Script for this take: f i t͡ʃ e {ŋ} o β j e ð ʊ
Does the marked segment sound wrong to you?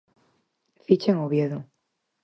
no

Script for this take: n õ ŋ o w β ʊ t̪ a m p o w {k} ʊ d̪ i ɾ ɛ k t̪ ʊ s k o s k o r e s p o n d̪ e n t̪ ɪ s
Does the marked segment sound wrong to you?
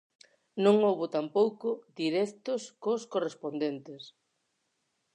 no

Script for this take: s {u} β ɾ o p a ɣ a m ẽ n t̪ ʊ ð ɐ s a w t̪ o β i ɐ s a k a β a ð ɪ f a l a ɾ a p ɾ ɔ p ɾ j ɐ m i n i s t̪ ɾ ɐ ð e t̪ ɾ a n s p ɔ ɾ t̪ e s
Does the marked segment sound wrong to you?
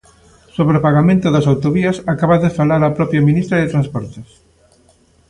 yes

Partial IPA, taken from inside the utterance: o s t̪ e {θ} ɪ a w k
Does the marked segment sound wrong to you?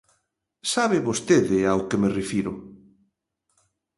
yes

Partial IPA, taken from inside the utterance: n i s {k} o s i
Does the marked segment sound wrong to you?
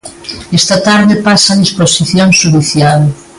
yes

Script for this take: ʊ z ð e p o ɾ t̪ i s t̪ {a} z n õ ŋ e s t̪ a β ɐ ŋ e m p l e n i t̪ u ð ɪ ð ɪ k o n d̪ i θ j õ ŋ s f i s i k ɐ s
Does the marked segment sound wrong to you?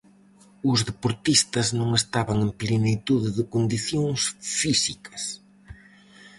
yes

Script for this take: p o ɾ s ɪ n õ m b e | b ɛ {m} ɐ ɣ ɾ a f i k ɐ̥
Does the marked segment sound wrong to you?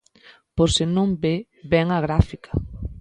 yes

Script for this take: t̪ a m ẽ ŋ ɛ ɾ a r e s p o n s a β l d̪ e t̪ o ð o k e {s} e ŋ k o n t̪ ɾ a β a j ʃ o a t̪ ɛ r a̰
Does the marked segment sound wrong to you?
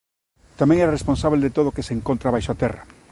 no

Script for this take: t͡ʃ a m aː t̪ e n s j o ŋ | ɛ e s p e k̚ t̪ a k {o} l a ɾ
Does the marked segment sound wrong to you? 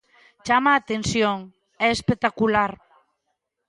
yes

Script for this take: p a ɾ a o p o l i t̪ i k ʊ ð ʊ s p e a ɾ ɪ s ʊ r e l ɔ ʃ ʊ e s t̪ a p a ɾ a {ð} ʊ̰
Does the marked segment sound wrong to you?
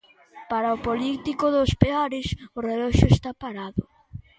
no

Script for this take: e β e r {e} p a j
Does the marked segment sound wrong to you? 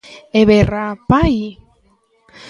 yes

